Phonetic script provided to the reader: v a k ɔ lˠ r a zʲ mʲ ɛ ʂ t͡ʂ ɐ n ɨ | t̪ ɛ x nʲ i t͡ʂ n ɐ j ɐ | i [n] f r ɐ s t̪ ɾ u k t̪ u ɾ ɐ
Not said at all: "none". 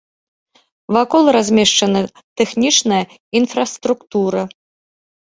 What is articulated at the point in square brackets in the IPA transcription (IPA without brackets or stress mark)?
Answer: n